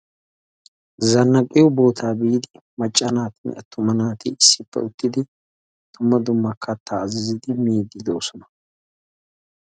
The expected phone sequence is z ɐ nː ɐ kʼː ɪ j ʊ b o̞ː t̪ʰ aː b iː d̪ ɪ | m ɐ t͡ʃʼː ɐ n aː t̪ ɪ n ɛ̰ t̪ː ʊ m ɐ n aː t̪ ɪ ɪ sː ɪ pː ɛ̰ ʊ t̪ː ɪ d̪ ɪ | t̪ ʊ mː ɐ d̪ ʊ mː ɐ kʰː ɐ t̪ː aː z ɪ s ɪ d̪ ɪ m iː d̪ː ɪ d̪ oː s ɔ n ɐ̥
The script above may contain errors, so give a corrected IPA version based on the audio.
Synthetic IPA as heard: z ɐ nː ɐ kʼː ɪ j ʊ b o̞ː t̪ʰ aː b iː d̪ ɪ | m ɐ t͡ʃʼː ɐ n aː t̪ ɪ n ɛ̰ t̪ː ʊ m ɐ n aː t̪ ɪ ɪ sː ɪ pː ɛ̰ ʊ t̪ː ɪ d̪ ɪ | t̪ ʊ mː ɐ d̪ ʊ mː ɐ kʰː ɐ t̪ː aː z ɪ z ɪ d̪ ɪ m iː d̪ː ɪ d̪ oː s ɔ n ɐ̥

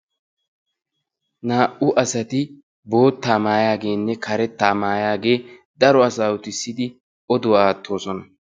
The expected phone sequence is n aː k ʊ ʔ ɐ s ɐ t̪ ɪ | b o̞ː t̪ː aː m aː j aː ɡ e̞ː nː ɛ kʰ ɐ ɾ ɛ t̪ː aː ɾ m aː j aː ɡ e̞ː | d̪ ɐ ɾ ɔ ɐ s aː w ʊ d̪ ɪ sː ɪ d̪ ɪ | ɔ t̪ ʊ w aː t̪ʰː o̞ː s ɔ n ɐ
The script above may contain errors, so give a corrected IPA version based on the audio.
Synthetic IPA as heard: n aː ʔ ʊ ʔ ɐ s ɐ t̪ ɪ | b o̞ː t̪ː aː m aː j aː ɡ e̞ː nː ɛ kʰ ɐ ɾ ɛ t̪ː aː m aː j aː ɡ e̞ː | d̪ ɐ ɾ ɔ ɐ s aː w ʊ t̪ ɪ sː ɪ d̪ ɪ | ɔ d̪ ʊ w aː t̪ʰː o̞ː s ɔ n ɐ

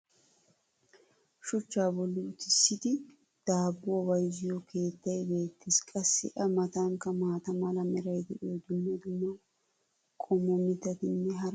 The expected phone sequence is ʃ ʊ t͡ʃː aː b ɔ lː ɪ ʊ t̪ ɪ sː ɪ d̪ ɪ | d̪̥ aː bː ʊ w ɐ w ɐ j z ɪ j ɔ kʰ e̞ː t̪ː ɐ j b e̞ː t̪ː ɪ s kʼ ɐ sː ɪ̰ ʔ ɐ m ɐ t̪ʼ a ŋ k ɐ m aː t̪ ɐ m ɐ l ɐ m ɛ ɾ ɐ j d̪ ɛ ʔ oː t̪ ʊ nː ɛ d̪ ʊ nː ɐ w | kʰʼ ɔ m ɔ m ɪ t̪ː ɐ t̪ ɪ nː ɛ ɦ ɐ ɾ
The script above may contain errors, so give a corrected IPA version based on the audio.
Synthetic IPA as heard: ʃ ʊ t͡ʃː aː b ɔ lː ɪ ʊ t̪ ɪ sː ɪ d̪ ɪ | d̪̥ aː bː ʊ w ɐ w ɐ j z ɪ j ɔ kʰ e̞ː t̪ː ɐ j b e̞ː t̪ː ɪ s kʼ ɐ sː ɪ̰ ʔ ɐ m ɐ t̪ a ŋ k ɐ m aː t̪ ɐ m ɐ l ɐ m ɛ ɾ ɐ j d̪ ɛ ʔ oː d̪ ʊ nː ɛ d̪ ʊ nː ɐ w | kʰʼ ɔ m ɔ m ɪ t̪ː ɐ t̪ ɪ nː ɛ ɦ ɐ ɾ

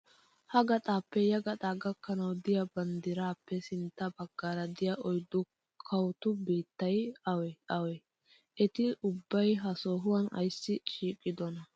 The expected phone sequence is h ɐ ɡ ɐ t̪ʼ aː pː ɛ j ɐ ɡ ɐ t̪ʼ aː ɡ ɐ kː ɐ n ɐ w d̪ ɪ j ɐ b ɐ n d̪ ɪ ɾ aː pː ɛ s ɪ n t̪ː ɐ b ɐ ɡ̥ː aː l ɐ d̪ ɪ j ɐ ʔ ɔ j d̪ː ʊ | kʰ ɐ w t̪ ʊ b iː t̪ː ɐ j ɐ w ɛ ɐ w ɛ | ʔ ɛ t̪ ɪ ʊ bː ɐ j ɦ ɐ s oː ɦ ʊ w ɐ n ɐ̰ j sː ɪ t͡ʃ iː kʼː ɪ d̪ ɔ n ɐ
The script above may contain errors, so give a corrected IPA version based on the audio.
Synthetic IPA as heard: h ɐ ɡ ɐ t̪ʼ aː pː ɛ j ɐ ɡ ɐ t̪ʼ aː ɡ ɐ kː ɐ n ɐ w d̪ ɪ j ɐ b ɐ n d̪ ɪ ɾ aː pː ɛ s ɪ n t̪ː ɐ b ɐ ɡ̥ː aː ɾ ɐ d̪ ɪ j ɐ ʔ ɔ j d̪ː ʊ | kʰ ɐ w t̪ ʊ b iː t̪ː ɐ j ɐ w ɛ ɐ w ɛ | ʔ ɛ t̪ ɪ ʊ bː ɐ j ɦ ɐ s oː ɦ ʊ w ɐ n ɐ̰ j sː ɪ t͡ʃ iː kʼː ɪ d̪ ɔ n ɐ

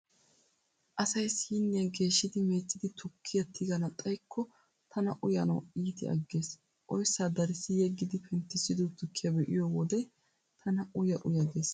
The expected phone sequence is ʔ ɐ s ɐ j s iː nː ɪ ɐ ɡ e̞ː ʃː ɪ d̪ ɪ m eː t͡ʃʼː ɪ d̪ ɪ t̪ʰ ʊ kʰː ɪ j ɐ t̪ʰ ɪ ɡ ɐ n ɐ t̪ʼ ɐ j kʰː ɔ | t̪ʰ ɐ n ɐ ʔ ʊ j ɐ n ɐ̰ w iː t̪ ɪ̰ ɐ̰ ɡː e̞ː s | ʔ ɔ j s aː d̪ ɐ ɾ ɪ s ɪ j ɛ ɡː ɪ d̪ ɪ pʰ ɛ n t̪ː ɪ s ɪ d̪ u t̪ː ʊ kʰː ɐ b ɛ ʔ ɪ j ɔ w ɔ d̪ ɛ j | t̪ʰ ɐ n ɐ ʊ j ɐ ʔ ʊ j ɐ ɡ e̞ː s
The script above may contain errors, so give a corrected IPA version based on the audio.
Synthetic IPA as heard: ʔ ɐ s ɐ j s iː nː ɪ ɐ ɡ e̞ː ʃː ɪ d̪ ɪ m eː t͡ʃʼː ɪ d̪ ɪ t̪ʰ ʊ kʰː ɪ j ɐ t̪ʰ ɪ ɡ ɐ n ɐ t̪ʼ ɐ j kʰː ɔ | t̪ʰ ɐ n ɐ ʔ ʊ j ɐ n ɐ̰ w iː t̪ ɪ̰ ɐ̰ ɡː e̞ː s | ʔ ɔ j s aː d̪ ɐ ɾ ɪ s ɪ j ɛ ɡː ɪ d̪ ɪ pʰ ɛ n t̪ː ɪ s ɪ d̪ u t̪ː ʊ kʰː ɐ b ɛ ʔ ɪ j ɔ w ɔ d̪ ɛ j | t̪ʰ ɐ n ɐ ʊ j ɐ ʔ ʊ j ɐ ɡ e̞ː s

